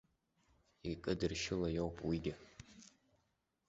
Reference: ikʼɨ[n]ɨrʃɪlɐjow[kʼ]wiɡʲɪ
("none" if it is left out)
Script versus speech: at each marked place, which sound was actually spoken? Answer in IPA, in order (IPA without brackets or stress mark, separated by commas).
d, pʼ